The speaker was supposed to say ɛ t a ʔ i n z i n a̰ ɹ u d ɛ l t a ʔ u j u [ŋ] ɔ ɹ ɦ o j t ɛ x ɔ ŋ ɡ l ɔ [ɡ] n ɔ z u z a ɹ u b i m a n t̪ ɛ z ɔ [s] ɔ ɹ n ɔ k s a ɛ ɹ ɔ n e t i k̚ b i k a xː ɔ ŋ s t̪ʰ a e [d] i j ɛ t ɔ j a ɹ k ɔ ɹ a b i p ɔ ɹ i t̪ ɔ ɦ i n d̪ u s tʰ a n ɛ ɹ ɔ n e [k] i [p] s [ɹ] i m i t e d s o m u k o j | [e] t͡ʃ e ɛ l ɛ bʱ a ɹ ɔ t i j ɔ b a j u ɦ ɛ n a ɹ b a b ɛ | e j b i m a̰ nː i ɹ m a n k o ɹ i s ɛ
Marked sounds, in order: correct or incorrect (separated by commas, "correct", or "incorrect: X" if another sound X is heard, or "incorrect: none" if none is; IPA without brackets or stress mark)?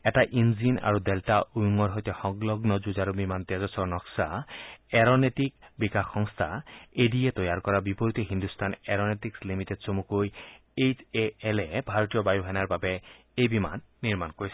correct, correct, correct, correct, incorrect: t, incorrect: k, incorrect: l, correct